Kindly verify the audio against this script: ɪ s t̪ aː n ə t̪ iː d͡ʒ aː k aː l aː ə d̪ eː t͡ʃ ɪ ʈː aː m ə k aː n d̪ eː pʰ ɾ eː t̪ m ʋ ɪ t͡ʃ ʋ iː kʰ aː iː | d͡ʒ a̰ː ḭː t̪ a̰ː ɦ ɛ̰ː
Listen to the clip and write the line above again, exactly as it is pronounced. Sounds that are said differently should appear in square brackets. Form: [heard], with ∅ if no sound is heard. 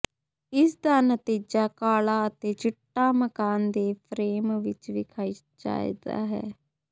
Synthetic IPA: ɪ s [d̪] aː n ə t̪ iː d͡ʒ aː k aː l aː ə [t̪] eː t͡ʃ ɪ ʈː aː m ə k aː n d̪ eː pʰ ɾ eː [∅] m ʋ ɪ t͡ʃ ʋ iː kʰ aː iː | d͡ʒ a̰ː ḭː [d̪] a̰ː ɦ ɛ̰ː

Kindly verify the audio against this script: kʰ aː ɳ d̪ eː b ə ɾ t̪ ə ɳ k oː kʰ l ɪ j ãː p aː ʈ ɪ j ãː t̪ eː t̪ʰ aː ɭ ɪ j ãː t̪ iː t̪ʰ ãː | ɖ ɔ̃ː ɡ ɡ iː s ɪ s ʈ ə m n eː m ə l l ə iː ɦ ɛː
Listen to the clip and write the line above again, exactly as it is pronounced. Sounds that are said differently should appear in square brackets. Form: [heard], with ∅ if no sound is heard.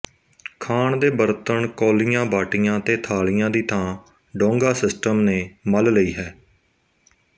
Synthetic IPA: kʰ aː ɳ d̪ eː b ə ɾ t̪ ə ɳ k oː [∅] l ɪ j ãː [b] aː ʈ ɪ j ãː t̪ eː t̪ʰ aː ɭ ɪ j ãː [d̪] iː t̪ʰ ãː | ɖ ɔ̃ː [ŋ] ɡ [aː] s ɪ s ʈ ə m n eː m ə l l ə iː ɦ ɛː

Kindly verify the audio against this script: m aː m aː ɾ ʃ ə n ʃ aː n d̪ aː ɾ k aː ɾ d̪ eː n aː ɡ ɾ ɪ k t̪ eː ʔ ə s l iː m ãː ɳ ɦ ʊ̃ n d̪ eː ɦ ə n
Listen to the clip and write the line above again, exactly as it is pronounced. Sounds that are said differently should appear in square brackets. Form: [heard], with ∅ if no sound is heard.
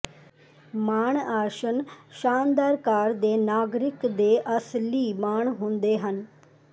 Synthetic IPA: m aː [ɳ] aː ɾ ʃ ə n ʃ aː n d̪ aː ɾ k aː ɾ d̪ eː n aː ɡ ɾ ɪ k [d̪] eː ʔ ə s l iː m [aː] ɳ ɦ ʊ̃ n d̪ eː ɦ ə n

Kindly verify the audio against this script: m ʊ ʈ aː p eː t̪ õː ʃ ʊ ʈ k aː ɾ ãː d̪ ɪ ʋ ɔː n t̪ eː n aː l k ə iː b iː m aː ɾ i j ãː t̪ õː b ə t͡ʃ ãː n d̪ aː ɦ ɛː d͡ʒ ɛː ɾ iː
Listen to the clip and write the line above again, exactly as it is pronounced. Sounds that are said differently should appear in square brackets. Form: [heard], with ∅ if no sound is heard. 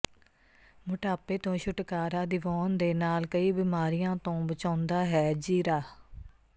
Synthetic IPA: m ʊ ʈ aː p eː t̪ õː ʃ ʊ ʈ k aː ɾ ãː d̪ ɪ ʋ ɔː n [d̪] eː n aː l k ə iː b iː m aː ɾ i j ãː t̪ õː b ə t͡ʃ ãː n d̪ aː ɦ ɛː d͡ʒ [iː] ɾ [aː]

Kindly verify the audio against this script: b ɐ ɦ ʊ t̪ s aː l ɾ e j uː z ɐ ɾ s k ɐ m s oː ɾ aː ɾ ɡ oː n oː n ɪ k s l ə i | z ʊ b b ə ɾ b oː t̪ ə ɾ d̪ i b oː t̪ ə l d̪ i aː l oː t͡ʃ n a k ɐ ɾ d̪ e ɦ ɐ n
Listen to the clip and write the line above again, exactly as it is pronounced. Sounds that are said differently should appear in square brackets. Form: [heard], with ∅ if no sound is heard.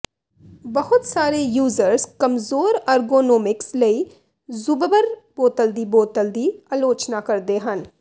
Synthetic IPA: b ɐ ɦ ʊ t̪ s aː [∅] ɾ e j uː z [ə] ɾ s k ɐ m [z] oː ɾ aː ɾ ɡ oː n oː [m] ɪ k s l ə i | z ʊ b b ə ɾ b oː t̪ ə [l] d̪ i b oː t̪ ə l d̪ i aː l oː t͡ʃ n a k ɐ ɾ d̪ e ɦ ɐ n

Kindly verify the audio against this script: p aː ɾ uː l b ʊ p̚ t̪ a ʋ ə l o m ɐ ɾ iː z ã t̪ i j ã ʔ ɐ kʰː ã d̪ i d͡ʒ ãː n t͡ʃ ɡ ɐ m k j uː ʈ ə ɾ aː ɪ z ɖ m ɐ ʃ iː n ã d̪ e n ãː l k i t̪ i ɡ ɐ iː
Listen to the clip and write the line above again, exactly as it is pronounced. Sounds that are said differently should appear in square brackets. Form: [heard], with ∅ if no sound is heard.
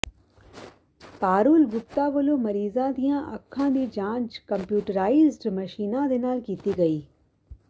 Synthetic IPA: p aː ɾ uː l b ʊ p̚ t̪ a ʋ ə l o m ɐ ɾ iː z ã [d̪] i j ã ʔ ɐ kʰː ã d̪ i d͡ʒ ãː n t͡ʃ [k] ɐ m [p] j uː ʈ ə ɾ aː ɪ z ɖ m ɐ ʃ iː n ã d̪ e n [aː] l k [iː] t̪ i ɡ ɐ iː

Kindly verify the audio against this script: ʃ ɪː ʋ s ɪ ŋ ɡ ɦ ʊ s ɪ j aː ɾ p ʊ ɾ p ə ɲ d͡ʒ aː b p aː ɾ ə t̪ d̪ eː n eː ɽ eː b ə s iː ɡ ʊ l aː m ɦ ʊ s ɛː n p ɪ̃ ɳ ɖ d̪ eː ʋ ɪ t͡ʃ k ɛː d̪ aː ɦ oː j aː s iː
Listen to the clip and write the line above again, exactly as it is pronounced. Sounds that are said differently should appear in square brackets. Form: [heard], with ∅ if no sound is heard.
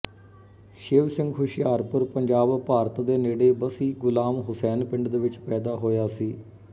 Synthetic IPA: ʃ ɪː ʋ s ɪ ŋ ɡ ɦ ʊ [ʃ] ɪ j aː ɾ p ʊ ɾ p ə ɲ d͡ʒ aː b p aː ɾ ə t̪ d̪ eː n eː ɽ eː b ə s iː ɡ ʊ l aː m ɦ ʊ s ɛː n p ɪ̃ ɳ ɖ d̪ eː ʋ ɪ t͡ʃ [p] ɛː d̪ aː ɦ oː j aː s iː

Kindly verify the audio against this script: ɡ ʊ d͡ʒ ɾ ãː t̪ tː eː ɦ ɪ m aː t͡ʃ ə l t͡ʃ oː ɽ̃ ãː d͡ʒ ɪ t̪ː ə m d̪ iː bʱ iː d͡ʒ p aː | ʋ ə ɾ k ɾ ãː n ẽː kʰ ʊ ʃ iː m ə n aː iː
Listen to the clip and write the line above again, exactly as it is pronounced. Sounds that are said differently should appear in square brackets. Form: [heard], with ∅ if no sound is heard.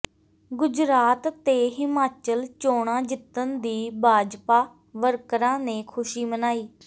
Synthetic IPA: ɡ ʊ d͡ʒ ɾ [aː] t̪ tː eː ɦ ɪ m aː t͡ʃ ə l t͡ʃ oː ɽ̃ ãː d͡ʒ ɪ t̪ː ə [n] d̪ iː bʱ [aː] d͡ʒ p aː | ʋ ə ɾ k ɾ ãː n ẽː kʰ ʊ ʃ iː m ə n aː iː

